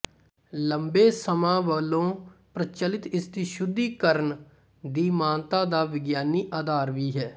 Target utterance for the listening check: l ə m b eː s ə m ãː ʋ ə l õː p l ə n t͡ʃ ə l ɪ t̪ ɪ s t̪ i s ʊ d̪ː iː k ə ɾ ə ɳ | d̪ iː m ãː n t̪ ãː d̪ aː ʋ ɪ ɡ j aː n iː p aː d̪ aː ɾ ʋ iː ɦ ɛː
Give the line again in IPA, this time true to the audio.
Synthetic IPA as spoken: l ə m b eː s ə m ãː ʋ ə l õː p ɾ ə t͡ʃ ə l ɪ t̪ ɪ s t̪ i ʃ ʊ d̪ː iː k ə ɾ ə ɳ | d̪ iː m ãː n t̪ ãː d̪ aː ʋ ɪ ɡ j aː n iː ʔ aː d̪ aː ɾ ʋ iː ɦ ɛː

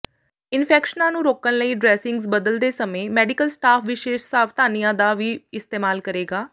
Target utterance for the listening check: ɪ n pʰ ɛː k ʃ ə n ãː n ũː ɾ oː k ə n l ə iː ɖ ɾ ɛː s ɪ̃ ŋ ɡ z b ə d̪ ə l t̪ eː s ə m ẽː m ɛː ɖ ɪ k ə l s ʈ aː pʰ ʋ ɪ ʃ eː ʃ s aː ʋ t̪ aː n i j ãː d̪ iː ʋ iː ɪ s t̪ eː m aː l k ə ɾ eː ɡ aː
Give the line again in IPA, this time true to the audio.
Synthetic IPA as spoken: ɪ n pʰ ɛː k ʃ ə n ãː n ũː ɾ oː k ə n l ə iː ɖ ɾ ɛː s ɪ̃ ŋ ɡ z b ə d̪ ə l d̪ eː s ə m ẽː m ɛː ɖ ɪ k ə l s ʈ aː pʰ ʋ ɪ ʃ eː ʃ s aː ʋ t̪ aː n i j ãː d̪ aː ʋ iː ɪ s t̪ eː m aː l k ə ɾ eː ɡ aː

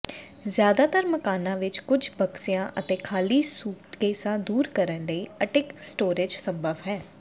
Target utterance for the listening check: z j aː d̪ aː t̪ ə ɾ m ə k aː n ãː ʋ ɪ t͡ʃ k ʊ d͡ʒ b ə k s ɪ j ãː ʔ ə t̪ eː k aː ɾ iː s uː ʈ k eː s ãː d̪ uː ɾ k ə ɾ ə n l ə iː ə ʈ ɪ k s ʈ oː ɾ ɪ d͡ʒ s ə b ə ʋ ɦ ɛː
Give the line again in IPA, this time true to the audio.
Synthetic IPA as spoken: z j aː d̪ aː t̪ ə ɾ m ə k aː n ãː ʋ ɪ t͡ʃ k ʊ d͡ʒ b ə k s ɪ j ãː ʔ ə t̪ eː kʰ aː l iː s uː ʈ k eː s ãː d̪ uː ɾ k ə ɾ ə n l ə iː ə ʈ ɪ k s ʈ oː ɾ ɪ d͡ʒ s ə b ə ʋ ɦ ɛː

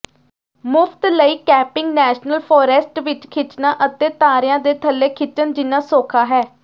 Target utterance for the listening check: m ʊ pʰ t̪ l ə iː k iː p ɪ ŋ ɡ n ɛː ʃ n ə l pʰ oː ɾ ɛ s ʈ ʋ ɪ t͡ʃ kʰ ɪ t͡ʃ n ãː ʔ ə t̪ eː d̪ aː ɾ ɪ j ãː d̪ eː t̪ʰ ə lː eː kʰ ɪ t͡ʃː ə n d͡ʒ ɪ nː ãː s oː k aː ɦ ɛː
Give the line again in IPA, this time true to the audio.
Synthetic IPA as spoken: m ʊ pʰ t̪ l ə iː k ɛː p ɪ ŋ ɡ n ɛː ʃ n ə l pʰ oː ɾ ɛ s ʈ ʋ ɪ t͡ʃ kʰ ɪ t͡ʃ n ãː ʔ ə t̪ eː t̪ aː ɾ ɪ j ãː d̪ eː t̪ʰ ə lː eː kʰ ɪ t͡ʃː ə n d͡ʒ ɪ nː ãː s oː kʰ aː ɦ ɛː

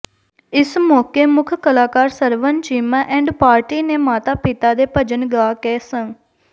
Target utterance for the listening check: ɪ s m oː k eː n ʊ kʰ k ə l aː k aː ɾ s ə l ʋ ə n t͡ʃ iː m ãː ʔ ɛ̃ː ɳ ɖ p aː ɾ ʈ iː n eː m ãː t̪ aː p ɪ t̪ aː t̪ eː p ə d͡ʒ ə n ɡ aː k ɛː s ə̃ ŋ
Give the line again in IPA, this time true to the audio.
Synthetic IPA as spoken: ɪ s m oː k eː m ʊ kʰ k ə l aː k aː ɾ s ə ɾ ʋ ə n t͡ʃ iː m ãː ʔ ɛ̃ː ɳ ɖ p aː ɾ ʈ iː n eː m aː t̪ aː p ɪ t̪ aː d̪ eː p ə d͡ʒ ə n ɡ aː k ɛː s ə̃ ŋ

